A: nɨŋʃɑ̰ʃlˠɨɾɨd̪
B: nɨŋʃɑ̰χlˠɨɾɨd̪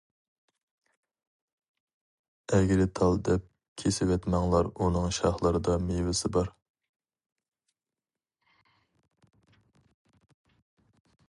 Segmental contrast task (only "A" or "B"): B